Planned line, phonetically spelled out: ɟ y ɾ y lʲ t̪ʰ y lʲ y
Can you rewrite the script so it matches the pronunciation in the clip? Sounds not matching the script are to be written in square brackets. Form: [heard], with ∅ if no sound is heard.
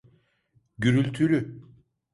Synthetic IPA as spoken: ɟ y ɾ y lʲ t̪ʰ y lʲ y